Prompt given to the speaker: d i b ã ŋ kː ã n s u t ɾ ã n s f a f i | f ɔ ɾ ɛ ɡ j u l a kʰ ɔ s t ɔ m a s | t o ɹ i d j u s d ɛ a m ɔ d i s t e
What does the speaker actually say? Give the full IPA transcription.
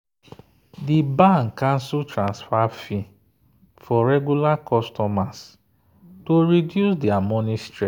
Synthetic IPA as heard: d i b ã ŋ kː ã n s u t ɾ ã n s f a f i | f ɔ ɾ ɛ ɡ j u l a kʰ ɔ s t ɔ m a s | t o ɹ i d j u s d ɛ a m ɔ n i s t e